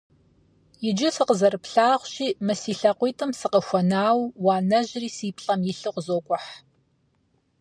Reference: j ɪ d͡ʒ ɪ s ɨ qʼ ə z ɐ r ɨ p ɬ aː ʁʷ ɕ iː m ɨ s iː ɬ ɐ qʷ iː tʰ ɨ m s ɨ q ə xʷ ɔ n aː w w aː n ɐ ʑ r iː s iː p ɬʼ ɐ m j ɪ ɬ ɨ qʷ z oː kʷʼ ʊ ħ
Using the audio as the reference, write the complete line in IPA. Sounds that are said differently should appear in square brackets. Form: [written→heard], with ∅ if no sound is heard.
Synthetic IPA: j ɪ d͡ʒ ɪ s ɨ [qʼ→q] ə z ɐ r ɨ p ɬ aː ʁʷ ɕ iː m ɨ s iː ɬ ɐ qʷ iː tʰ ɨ m s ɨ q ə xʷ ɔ n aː w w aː n ɐ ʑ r iː s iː p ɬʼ ɐ m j ɪ ɬ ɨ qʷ z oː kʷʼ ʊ ħ